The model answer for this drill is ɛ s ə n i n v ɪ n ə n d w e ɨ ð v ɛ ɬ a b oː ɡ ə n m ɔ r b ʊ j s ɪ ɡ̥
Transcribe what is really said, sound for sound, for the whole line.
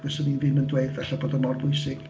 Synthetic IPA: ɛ s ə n i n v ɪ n ə n d w e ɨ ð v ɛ ɬ a b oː d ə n m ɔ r b ʊ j s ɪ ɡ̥